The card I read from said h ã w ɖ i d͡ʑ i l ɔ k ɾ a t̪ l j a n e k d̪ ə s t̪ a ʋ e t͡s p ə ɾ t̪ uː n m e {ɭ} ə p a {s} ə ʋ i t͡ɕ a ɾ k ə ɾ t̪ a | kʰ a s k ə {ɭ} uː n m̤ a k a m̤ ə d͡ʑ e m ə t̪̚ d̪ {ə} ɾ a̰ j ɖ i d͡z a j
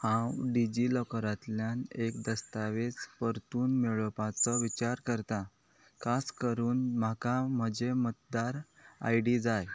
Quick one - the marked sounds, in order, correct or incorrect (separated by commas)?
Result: correct, incorrect, incorrect, incorrect